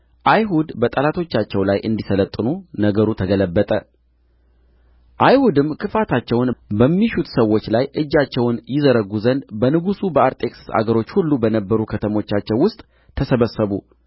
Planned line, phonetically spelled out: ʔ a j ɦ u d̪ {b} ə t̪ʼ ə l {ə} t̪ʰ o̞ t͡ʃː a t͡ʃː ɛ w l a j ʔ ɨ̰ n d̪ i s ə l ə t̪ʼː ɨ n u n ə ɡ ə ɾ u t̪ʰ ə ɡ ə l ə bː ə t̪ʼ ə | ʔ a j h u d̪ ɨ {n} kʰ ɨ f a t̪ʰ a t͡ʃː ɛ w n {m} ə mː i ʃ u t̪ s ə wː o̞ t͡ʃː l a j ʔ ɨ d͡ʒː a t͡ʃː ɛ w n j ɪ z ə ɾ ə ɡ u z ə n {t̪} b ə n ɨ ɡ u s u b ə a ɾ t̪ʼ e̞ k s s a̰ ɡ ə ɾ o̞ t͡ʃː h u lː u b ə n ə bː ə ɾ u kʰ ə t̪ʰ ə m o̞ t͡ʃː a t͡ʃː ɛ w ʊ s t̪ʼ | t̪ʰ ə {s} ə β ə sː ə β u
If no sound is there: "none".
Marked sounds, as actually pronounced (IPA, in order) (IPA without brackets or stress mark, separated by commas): b, a, m, b, d̪, s